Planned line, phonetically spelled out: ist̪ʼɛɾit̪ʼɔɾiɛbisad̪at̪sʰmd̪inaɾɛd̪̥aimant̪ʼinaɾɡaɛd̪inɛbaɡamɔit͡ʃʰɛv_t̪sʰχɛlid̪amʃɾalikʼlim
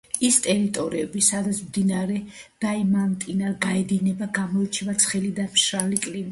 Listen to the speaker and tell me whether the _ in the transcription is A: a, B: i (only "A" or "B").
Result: A